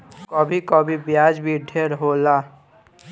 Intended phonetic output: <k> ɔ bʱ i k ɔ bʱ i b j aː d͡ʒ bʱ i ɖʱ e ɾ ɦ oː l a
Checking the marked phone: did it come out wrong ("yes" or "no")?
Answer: no